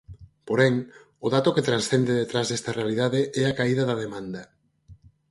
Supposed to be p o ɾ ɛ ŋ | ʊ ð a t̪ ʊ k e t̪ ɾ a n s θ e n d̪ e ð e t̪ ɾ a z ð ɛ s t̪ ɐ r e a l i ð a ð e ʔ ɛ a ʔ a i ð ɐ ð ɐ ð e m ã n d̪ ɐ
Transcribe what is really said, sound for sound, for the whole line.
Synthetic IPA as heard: p o ɾ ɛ ŋ | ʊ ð a t̪ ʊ k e t̪ ɾ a n s θ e n d̪ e ð e t̪ ɾ a z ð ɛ s t̪ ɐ r e a l i ð a ð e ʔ ɛ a k a i ð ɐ ð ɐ ð e m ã n d̪ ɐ